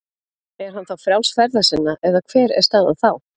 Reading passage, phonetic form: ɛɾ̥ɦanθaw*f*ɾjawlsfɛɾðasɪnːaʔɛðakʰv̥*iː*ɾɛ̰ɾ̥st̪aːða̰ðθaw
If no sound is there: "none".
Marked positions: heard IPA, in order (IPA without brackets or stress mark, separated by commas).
f, ɛː